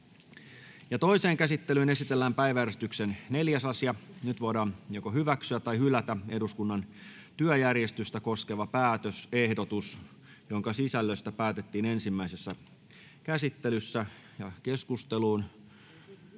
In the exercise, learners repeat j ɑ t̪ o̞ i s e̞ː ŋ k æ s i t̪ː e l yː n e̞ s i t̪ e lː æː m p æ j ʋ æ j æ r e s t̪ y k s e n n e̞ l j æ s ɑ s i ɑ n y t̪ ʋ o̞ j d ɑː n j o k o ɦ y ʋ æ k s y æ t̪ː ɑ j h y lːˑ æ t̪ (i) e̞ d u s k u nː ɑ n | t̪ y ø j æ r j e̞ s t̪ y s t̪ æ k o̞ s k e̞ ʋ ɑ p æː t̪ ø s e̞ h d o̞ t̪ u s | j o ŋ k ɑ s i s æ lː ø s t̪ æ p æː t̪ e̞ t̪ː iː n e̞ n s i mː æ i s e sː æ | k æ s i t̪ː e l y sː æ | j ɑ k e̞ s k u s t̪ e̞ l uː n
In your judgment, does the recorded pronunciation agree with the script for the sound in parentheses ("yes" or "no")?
no